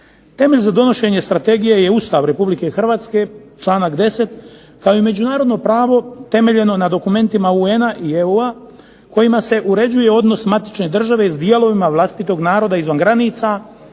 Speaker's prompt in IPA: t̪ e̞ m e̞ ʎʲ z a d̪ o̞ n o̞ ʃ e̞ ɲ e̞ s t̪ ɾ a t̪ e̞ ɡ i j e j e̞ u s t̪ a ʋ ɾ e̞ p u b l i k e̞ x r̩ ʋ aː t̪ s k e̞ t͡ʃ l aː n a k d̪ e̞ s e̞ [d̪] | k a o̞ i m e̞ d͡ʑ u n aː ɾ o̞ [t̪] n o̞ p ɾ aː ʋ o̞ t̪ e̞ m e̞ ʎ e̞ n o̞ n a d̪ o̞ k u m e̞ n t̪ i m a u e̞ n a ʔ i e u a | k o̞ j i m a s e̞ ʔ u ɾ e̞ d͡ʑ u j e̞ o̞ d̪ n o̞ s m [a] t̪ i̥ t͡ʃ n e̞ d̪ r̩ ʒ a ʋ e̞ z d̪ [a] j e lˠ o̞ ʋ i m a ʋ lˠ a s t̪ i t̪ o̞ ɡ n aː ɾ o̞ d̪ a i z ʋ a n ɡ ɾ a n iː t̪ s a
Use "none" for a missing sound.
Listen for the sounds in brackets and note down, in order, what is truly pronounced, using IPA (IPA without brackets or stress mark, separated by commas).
t̪, d̪, a, i